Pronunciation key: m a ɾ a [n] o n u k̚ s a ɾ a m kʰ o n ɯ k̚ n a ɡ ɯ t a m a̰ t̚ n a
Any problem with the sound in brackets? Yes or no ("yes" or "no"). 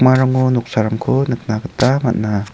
yes